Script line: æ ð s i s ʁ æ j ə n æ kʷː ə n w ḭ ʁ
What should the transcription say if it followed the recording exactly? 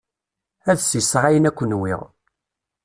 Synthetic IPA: æ ð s i s ʁ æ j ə n æ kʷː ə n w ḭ ʁ